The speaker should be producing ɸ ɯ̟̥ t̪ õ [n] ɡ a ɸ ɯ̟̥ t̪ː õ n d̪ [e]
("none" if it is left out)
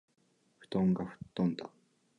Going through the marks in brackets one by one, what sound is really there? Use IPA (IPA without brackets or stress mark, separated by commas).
ŋ, a